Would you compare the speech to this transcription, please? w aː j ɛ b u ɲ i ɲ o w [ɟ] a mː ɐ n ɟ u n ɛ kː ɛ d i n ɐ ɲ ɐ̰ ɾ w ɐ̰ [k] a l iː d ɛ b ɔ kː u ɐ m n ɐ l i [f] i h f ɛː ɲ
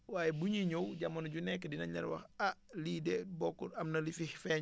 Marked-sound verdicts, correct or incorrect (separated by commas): correct, incorrect, correct